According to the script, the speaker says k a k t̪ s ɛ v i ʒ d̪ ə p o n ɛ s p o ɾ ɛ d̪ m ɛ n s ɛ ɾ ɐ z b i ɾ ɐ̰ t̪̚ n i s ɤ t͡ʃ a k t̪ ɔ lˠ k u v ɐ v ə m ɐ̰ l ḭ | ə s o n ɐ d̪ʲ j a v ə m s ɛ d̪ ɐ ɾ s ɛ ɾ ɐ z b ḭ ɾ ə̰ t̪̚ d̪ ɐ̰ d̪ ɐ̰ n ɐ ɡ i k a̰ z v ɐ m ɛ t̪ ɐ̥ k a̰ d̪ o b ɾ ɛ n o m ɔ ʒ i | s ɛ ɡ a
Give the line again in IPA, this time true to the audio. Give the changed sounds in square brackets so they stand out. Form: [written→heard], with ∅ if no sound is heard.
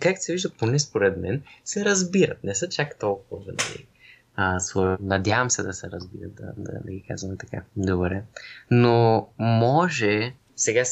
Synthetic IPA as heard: k a k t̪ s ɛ v i ʒ d̪ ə p o n ɛ s p o ɾ ɛ d̪ m ɛ n s ɛ ɾ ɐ z b i ɾ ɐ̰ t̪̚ n [i→ɛ] s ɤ t͡ʃ a k t̪ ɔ lˠ k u v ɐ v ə [m→n] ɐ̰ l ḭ | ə s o n ɐ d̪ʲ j a v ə m s ɛ d̪ ɐ [ɾ→∅] s ɛ ɾ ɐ z b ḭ ɾ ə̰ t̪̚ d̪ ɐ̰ d̪ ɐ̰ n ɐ ɡ i k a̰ z v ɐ m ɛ t̪ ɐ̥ k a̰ d̪ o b ɾ ɛ n o m ɔ ʒ [i→ɛ] | s ɛ ɡ a